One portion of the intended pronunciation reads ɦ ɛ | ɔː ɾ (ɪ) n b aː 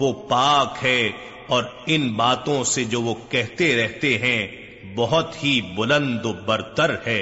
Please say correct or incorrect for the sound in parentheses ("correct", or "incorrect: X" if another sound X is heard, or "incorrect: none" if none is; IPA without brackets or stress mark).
correct